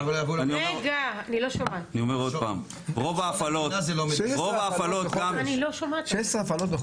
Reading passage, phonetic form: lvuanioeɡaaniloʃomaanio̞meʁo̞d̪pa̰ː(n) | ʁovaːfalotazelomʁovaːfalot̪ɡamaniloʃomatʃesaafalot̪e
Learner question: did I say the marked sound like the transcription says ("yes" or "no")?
no